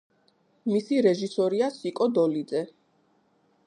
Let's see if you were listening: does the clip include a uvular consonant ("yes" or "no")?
no